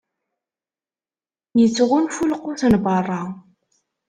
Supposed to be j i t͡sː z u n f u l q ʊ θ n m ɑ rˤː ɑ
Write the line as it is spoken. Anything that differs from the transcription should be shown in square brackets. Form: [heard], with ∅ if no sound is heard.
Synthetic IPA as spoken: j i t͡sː [ʁ] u n f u l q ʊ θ n [b] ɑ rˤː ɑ